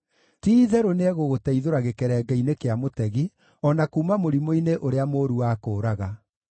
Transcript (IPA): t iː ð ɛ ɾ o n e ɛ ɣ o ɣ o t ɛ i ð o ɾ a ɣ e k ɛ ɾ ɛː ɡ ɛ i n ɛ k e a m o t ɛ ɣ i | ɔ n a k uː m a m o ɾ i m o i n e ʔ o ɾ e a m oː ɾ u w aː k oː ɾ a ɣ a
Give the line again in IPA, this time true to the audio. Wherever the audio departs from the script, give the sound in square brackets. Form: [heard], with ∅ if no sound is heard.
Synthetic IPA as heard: t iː ð ɛ ɾ o n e ɛ ɣ o ɣ o t ɛ i ð o ɾ a ɣ e k ɛ ɾ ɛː ɡ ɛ i n [e] k e a m o t ɛ ɣ i | ɔ n a k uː m a m o ɾ i m o i n e ʔ o ɾ e a m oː ɾ u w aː k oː ɾ a ɣ a